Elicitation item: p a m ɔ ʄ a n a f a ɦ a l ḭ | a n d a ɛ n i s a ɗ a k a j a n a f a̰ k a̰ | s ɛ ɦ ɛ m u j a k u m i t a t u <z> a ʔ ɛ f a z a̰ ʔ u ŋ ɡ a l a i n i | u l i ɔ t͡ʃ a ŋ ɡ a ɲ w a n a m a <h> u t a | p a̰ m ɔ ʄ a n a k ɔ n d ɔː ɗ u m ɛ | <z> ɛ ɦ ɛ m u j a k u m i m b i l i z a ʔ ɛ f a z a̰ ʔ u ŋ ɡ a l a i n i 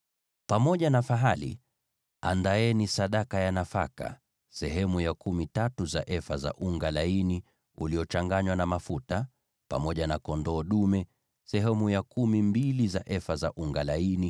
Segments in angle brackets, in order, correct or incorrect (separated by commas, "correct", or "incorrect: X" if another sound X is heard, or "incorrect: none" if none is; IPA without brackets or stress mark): correct, incorrect: f, incorrect: s